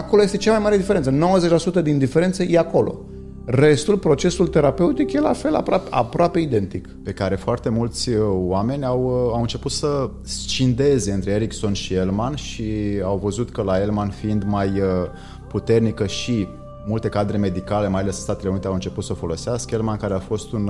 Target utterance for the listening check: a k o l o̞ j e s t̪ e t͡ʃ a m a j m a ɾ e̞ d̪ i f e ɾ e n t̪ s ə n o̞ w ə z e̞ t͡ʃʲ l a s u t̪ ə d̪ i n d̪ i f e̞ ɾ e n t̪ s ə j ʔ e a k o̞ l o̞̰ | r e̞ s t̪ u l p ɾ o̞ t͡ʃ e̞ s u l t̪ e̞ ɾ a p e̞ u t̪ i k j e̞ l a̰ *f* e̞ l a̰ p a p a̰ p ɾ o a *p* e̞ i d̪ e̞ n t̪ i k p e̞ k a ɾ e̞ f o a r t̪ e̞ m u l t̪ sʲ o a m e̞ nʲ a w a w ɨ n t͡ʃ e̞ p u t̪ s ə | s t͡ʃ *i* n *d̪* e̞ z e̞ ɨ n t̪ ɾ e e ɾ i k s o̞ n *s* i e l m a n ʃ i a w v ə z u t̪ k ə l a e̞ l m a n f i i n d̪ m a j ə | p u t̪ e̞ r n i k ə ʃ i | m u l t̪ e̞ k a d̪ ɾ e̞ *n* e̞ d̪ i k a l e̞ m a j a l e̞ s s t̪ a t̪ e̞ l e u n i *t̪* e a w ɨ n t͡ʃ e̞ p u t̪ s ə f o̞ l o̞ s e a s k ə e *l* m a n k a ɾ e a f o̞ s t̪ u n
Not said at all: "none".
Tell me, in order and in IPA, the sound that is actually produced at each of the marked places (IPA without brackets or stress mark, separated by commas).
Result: f, p, i, d̪, ʃ, m, t̪, l